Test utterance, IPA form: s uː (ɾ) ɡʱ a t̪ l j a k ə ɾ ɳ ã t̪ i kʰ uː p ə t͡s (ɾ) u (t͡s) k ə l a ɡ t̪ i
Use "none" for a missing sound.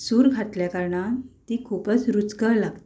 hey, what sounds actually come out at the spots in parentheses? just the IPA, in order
ɾ, ɾ, t͡s

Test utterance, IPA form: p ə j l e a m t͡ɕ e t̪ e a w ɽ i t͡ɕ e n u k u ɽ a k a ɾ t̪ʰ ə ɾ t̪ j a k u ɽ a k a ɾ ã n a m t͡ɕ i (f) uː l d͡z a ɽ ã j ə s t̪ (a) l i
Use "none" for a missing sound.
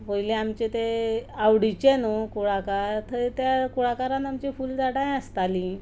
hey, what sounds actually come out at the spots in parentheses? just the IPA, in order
f, a

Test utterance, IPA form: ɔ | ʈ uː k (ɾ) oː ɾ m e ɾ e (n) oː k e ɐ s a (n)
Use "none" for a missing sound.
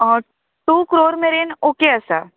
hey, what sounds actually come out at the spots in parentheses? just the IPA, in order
ɾ, n, none

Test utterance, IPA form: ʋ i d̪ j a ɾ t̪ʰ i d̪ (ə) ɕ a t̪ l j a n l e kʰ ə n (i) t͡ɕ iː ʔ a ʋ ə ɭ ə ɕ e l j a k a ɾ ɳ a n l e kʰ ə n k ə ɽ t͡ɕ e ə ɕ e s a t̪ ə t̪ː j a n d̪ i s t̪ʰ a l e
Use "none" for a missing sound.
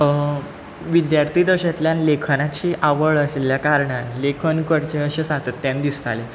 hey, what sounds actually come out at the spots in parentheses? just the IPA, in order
ə, a

